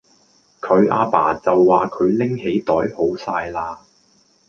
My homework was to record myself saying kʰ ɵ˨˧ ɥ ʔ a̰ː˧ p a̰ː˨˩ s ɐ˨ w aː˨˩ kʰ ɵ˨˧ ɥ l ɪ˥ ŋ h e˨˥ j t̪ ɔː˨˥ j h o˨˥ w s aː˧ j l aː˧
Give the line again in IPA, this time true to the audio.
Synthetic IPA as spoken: kʰ ɵ˨˧ ɥ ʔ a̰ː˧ p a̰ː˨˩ t͡s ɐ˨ wː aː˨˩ kʰ ɵ˨˧ ɥ l ɪ˥ ŋ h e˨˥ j t̪ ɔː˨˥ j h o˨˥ w s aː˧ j l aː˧